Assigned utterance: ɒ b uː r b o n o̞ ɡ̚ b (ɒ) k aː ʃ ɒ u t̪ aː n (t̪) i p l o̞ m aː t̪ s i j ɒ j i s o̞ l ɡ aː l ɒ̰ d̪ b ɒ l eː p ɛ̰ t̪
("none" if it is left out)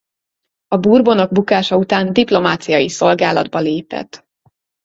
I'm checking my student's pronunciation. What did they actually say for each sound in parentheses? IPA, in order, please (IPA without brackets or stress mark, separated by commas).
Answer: u, d̪